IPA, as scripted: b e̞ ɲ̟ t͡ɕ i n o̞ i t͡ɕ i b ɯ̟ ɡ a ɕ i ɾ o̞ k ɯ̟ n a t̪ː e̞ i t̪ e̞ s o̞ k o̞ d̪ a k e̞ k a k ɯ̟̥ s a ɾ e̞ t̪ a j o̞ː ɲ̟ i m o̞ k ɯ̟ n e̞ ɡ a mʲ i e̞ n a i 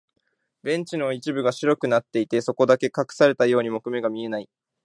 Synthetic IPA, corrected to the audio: b ẽ̞ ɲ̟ t͡ɕ i n o̞ i t͡ɕ i b ɯ̟ ɡ a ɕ i ɾ o̞ k ɯ̟ n a t̪ː e̞ i t̪ e̞ s o̞ k o̞ d̪ a k e̞ k a k ɯ̟̥ s a ɾ e̞ t̪ a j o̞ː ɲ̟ i m o̞ k ɯ̟ m e̞ ɡ a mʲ i e̞ n a i